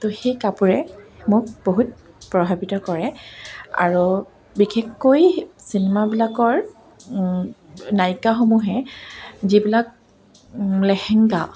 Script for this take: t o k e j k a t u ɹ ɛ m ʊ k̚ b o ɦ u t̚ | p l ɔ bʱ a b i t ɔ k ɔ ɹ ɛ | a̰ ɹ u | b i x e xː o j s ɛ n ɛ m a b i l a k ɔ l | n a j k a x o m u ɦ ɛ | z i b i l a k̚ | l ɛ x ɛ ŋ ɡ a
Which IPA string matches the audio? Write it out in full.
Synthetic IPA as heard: t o x e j k a p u ɹ ɛ m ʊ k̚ b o ɦ u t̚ | p ɹ ɔ bʱ a b i t ɔ k ɔ ɹ ɛ | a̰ ɹ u | b i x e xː o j s i n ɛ m a b i l a k ɔ ɹ | n a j k a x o m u ɦ ɛ | z i b i l a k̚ | l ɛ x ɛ ŋ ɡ a